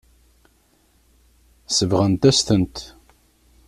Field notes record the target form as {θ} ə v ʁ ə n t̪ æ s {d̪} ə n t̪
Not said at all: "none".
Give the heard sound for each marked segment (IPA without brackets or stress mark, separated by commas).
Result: s, t̪